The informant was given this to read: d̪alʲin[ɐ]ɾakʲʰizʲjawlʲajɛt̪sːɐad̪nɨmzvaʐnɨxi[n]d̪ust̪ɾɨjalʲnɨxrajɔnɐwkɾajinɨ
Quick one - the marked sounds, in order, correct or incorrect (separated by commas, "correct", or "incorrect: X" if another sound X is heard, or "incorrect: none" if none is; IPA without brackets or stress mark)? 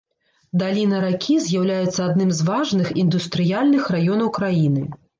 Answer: correct, correct